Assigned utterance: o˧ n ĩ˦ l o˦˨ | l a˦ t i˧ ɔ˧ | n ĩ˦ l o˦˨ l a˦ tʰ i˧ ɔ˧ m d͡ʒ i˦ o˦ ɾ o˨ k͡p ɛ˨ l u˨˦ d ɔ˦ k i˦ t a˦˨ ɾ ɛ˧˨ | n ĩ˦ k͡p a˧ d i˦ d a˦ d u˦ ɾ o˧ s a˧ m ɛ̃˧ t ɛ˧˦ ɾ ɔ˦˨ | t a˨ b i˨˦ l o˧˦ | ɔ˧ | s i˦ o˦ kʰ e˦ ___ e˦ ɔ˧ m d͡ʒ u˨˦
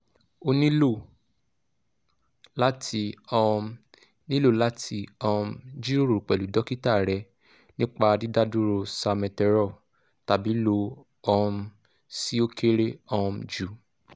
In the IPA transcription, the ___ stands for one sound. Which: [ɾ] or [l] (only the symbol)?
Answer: ɾ